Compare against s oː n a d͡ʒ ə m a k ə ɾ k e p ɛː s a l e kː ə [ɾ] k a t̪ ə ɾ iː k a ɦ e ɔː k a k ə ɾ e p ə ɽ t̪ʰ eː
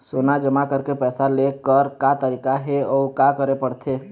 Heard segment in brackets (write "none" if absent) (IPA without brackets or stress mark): ɾ